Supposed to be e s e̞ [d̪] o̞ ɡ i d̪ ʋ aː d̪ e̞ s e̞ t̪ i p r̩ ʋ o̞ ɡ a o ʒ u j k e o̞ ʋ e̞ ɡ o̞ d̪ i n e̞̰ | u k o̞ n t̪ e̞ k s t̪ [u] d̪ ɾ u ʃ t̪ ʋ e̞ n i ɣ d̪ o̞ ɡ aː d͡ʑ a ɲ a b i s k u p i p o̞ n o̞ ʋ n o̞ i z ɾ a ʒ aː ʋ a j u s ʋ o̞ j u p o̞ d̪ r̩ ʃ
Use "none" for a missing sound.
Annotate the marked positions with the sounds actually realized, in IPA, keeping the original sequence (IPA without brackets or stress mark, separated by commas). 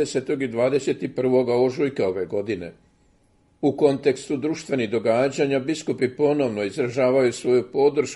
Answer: t̪, u